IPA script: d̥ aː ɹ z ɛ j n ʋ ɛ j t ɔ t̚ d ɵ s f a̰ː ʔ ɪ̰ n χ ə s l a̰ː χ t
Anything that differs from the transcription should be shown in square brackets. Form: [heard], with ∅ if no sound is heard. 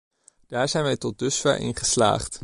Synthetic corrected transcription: d̥ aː ɹ z ɛ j n ʋ ɛ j t ɔ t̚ d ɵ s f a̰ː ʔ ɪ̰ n χ ə s l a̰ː χ t